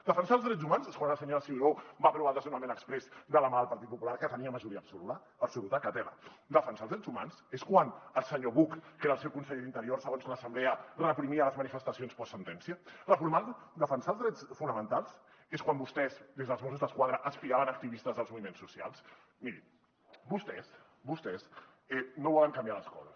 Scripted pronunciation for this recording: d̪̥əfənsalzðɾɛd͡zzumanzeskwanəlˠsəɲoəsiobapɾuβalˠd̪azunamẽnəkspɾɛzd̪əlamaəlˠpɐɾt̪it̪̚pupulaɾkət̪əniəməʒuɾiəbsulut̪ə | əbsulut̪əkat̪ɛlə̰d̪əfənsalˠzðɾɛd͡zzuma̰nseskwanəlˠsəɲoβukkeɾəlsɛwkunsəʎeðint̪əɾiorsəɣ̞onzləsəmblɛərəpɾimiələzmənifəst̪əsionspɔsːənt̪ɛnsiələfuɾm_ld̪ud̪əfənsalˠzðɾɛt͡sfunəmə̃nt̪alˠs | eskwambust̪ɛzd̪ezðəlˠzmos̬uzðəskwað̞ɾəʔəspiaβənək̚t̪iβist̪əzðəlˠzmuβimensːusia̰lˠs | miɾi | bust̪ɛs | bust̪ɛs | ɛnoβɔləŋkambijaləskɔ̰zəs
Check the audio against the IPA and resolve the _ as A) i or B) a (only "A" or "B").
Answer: B